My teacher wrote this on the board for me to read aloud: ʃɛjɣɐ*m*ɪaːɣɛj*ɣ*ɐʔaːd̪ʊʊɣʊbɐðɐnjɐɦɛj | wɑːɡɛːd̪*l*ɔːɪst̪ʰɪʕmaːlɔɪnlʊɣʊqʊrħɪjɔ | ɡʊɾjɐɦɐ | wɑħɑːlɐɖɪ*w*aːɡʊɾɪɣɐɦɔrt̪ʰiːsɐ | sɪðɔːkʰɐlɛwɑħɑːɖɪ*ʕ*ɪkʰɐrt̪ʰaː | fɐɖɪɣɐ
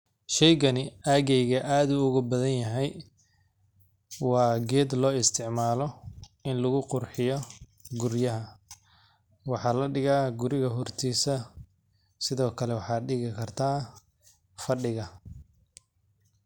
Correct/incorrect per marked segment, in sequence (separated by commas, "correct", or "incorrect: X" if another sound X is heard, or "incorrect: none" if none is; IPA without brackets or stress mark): incorrect: n, correct, correct, incorrect: ɣ, incorrect: ɣ